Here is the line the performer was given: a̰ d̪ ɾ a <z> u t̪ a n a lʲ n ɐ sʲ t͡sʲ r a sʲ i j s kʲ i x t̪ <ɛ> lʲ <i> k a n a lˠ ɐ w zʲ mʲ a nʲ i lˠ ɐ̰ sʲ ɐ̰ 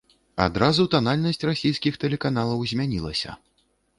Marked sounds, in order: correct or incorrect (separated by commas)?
correct, correct, incorrect